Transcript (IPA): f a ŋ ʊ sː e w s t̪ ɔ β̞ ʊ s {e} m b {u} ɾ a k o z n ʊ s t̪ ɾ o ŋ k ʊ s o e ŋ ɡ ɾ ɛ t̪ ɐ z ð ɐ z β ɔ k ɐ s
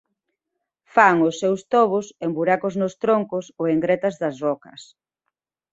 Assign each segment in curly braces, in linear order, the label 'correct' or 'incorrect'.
correct, correct

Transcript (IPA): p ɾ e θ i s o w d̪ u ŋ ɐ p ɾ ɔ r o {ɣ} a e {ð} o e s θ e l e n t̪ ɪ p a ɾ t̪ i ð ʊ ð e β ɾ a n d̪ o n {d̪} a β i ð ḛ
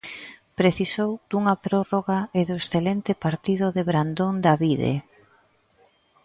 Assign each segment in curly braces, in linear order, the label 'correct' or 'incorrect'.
correct, correct, correct

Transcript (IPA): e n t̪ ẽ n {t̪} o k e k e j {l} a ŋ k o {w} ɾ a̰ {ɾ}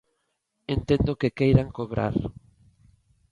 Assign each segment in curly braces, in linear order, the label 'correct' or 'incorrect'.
incorrect, incorrect, incorrect, correct

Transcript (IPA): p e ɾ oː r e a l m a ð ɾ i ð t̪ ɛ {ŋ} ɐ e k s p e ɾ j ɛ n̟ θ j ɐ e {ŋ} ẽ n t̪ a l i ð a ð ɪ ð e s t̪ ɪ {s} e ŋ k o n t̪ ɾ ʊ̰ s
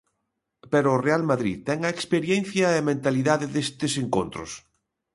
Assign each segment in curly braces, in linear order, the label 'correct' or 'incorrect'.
correct, incorrect, correct

